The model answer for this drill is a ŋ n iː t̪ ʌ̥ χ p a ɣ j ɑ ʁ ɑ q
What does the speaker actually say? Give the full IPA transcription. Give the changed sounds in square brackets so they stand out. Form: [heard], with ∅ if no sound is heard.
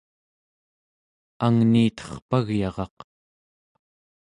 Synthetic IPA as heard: a ŋ n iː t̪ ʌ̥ χ p a ɣ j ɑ ʁ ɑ q